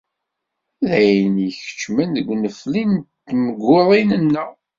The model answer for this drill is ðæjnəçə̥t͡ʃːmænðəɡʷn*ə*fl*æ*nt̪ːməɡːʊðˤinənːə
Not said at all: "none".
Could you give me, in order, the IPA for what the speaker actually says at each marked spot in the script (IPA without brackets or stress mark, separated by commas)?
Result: ə, i